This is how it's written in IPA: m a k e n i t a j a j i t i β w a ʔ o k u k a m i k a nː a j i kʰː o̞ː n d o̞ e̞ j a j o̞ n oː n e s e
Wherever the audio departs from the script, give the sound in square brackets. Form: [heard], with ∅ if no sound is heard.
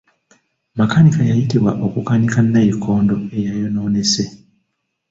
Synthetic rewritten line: m a k [a] n i [k] a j a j i t i β w a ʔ o k u k a [n] i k a nː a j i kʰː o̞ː n d o̞ e̞ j a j o̞ n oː n e s e